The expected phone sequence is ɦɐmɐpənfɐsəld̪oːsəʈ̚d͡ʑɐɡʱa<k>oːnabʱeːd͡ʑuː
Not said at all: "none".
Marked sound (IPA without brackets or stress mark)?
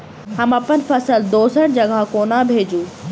k